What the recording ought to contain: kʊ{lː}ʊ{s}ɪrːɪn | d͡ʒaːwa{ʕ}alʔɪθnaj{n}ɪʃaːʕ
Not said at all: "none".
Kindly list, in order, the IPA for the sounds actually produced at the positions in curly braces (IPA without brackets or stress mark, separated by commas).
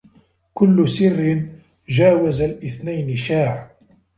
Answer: lː, s, z, n